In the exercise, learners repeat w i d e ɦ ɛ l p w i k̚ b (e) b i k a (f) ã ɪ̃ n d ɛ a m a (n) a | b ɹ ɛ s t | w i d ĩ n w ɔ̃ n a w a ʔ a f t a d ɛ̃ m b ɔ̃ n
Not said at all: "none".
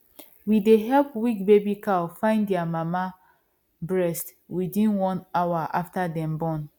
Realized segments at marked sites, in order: e, f, m

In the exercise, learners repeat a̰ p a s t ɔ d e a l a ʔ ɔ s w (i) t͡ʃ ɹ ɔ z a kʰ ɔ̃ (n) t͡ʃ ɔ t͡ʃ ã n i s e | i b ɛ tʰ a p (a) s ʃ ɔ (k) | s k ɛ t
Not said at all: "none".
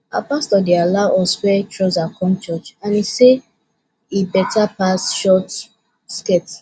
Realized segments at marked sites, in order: ɛ, m, a, t

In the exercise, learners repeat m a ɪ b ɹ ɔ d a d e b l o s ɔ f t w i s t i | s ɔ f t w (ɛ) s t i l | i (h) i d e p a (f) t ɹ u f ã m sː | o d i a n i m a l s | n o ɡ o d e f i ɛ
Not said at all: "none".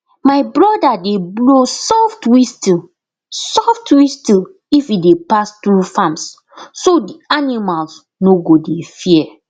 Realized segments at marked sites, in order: i, f, s

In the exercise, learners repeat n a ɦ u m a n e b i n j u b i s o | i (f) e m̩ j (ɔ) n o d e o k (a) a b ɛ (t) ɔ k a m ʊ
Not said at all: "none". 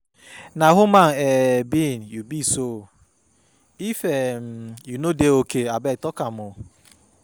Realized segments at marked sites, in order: f, u, e, t

